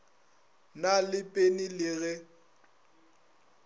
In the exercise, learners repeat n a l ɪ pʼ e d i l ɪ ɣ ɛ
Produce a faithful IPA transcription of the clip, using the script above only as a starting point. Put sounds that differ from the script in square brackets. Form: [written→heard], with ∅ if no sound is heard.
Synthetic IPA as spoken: n a l ɪ pʼ e [d→n] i l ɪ ɣ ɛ